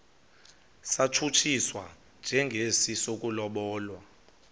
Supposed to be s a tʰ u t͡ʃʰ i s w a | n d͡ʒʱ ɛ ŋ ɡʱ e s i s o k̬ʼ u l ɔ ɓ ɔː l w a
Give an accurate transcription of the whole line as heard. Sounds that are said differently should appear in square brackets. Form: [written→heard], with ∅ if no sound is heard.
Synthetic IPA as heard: s a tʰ u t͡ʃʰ i s w a | n d͡ʒʱ ɛ ŋ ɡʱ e s i s o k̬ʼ u l ɔ ɓ ɔː l w a